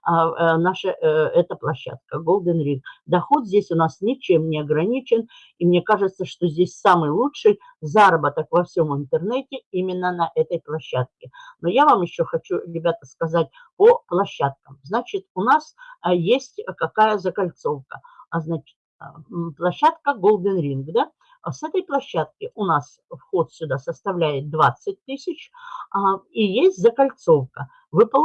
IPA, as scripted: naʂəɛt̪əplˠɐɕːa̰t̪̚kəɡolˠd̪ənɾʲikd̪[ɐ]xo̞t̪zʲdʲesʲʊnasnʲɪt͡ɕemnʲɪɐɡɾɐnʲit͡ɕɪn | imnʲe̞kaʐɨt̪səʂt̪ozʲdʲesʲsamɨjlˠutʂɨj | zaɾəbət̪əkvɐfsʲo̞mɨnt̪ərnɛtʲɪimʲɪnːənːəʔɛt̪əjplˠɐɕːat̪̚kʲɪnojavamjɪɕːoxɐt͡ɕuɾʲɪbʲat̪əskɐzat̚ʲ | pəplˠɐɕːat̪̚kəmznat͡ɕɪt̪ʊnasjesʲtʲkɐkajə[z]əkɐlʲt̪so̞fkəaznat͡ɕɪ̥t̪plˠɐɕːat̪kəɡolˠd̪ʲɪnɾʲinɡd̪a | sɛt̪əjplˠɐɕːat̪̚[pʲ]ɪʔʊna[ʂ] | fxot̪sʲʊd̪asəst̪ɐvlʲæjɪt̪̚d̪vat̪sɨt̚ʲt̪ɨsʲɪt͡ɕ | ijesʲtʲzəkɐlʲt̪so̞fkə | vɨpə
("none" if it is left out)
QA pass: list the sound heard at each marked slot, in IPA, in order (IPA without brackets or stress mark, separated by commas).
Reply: ɐ, z, kʲ, s